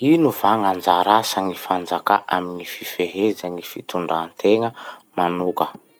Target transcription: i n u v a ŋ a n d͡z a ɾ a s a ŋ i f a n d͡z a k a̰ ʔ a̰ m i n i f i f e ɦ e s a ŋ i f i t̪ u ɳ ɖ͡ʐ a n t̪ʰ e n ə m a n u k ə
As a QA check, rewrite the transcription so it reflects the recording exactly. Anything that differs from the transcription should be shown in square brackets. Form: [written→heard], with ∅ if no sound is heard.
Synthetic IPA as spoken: i n u v a ŋ a n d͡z a ɾ a s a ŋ i f a n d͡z a k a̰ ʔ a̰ m i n i f i f e ɦ e [s→z] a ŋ i f i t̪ u ɳ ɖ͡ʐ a n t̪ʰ e [n→ŋ] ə m a n u k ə